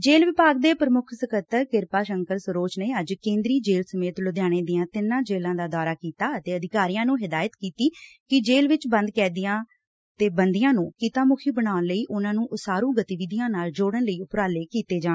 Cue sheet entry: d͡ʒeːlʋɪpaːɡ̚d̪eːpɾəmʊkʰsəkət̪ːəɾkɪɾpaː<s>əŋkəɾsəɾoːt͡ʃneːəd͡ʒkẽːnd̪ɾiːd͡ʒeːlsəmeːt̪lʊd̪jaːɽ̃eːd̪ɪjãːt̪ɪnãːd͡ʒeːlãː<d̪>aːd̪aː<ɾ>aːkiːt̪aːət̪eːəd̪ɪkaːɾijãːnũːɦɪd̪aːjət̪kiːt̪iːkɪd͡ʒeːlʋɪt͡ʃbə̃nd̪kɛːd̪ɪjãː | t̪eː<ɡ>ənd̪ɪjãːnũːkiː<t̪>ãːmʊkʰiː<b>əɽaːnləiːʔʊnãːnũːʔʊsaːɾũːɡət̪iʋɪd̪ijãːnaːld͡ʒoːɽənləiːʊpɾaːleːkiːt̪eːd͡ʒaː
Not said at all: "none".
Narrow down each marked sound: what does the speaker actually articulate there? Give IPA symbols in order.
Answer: ʃ, d̪, ɾ, b, t̪, b

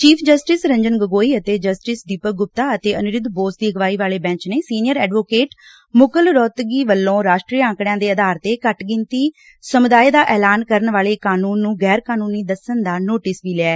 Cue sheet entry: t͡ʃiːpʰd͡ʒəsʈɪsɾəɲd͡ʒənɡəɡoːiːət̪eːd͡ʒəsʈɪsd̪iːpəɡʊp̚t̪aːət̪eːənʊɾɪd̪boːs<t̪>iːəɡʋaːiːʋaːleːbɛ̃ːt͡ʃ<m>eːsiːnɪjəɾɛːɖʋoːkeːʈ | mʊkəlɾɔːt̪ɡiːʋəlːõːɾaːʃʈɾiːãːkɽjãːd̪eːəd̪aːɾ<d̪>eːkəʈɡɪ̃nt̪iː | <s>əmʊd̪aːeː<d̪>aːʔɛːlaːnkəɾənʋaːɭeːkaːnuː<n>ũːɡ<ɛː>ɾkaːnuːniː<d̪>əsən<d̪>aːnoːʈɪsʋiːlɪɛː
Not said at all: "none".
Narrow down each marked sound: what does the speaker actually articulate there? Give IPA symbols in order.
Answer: d̪, n, t̪, s, d̪, nː, ɛː, d̪, d̪

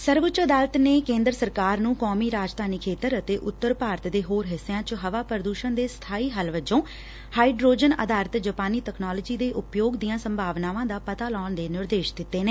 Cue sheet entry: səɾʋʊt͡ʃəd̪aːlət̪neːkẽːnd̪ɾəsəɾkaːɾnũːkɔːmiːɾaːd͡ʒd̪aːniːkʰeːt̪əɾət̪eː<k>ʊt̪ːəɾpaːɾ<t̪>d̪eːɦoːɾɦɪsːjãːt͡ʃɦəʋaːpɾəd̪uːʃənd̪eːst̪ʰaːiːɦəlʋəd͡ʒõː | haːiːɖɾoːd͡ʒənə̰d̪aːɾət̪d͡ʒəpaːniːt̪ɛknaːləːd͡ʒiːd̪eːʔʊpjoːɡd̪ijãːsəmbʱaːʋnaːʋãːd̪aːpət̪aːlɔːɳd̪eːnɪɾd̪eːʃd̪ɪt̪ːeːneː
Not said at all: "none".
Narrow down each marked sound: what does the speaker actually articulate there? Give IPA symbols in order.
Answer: ʔ, t̪

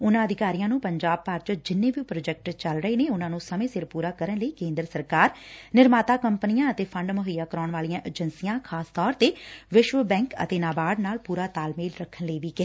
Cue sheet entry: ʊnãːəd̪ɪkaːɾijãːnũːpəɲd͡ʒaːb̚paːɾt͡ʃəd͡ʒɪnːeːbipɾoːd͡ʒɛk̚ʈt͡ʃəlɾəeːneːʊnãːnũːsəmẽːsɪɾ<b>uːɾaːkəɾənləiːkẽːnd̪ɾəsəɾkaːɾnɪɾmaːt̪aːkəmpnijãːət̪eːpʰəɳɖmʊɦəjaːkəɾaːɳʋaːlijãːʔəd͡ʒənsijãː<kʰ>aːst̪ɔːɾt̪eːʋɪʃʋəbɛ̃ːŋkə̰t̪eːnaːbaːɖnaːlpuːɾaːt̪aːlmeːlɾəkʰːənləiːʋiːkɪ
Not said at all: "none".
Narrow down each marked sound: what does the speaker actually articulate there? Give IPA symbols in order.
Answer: p, kʰ

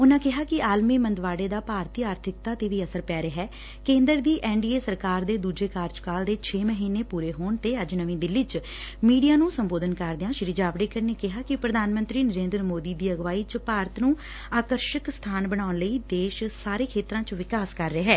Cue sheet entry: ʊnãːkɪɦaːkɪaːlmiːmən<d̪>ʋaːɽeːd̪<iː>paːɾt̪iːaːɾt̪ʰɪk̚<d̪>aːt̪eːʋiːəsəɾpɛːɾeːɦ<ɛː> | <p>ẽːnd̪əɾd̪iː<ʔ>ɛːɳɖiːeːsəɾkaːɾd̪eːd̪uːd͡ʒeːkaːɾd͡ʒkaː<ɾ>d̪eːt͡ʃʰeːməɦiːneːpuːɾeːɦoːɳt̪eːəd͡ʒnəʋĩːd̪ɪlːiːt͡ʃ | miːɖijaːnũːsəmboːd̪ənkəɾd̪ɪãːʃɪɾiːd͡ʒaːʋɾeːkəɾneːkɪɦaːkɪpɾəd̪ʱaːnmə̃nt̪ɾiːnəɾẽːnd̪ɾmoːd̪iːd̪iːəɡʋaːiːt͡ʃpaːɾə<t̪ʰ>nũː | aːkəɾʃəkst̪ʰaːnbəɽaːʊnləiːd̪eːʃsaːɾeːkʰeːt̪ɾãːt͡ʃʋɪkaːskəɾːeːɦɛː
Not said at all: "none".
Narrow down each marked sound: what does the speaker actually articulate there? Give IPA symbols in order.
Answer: d̪, aː, t̪, ɛː, k, ʔ, l, t̪

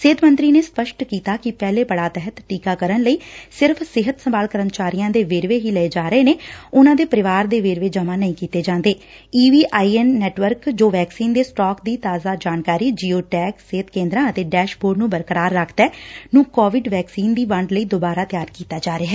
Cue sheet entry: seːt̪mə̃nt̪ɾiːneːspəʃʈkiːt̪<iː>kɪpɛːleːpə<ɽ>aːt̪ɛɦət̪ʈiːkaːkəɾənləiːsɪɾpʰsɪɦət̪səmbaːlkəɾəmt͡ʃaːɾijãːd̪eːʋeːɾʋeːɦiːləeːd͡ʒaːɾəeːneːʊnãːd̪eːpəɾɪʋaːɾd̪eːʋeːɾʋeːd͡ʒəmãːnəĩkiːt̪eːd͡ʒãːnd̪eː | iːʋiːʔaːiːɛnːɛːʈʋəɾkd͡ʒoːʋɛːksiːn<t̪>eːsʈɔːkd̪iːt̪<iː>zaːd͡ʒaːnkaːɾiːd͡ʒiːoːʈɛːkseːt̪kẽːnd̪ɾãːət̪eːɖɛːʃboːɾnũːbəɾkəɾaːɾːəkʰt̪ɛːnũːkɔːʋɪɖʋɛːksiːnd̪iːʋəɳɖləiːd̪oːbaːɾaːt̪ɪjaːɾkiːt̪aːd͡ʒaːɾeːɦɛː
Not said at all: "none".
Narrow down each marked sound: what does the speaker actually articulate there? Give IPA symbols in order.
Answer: aː, ɽ, d̪, aː

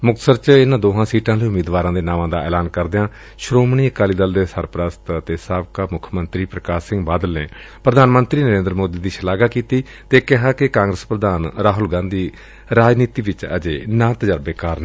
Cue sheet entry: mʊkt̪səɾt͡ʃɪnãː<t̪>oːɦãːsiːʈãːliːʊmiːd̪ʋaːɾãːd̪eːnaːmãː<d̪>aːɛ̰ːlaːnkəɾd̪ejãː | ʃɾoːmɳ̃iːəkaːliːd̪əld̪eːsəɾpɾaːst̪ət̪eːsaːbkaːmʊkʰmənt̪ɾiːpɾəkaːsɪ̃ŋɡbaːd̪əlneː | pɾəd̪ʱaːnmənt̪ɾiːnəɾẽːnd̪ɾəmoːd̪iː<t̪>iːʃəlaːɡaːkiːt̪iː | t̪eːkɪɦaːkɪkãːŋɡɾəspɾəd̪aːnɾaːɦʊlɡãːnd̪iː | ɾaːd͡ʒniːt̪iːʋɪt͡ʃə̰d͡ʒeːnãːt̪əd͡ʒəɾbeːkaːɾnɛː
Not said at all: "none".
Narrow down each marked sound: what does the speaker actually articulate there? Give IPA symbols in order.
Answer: d̪, d̪, d̪

